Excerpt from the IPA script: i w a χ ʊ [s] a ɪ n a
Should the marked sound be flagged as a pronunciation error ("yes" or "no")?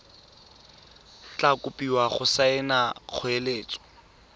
no